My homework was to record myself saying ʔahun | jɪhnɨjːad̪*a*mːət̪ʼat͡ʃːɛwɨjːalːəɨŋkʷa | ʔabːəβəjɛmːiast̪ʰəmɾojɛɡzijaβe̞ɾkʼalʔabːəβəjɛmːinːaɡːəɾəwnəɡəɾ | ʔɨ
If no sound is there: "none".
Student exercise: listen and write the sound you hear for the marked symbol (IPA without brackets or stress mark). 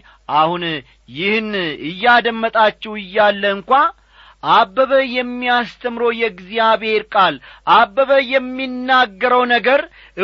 ə